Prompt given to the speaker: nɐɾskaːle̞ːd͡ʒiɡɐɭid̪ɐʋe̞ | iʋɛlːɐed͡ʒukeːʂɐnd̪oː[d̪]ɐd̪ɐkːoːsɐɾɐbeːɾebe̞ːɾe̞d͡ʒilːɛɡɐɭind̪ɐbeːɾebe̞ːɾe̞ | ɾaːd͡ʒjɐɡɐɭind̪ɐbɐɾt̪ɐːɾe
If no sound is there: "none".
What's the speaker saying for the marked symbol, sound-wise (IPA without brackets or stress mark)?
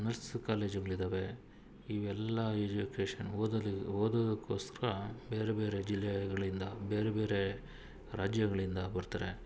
d̪